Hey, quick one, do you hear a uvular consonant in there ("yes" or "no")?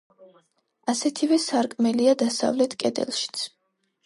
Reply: no